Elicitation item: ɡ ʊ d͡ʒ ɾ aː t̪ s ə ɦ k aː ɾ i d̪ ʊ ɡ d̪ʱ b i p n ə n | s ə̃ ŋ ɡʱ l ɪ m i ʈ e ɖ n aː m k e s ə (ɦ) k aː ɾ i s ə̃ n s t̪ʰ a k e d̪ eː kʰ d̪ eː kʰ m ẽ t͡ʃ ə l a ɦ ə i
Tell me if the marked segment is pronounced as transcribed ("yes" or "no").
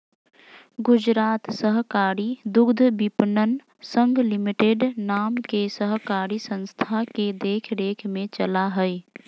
yes